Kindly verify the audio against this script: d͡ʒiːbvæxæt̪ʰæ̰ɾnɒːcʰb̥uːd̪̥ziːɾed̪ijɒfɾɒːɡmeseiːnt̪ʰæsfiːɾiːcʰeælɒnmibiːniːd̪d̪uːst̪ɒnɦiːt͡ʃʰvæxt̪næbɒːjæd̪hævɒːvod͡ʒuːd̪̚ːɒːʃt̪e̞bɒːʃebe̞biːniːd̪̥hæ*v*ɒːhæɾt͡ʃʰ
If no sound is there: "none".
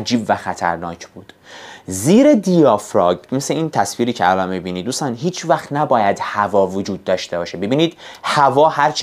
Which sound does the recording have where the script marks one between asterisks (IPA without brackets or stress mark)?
v